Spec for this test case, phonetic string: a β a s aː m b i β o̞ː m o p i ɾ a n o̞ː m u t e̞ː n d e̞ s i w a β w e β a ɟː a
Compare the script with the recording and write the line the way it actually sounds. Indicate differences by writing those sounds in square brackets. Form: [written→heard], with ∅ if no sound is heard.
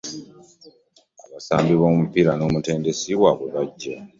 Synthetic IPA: a β a s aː m b i β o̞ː m [o→u] p i ɾ a n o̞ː m u t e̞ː n d e̞ s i w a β w e β a ɟː a